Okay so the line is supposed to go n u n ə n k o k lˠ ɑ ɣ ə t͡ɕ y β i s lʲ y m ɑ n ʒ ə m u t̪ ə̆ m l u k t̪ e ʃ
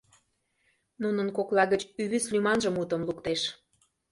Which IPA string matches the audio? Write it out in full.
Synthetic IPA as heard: n u n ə n k o k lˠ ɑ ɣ ə t͡ɕ y β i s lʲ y m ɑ n ʒ ə m u t̪ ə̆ m l u k t̪ e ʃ